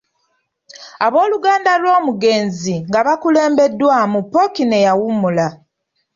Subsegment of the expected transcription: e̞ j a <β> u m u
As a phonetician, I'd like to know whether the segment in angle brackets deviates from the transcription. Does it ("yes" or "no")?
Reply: yes